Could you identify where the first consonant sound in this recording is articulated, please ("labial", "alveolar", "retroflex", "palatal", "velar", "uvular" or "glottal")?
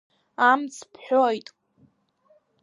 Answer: labial